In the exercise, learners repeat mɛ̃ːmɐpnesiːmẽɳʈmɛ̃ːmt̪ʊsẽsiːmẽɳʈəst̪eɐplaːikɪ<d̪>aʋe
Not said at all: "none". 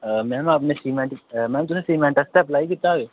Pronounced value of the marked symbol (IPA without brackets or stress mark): t̪